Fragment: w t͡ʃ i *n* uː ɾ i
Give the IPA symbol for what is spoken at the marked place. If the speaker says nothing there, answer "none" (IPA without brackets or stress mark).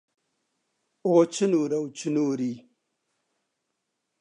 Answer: n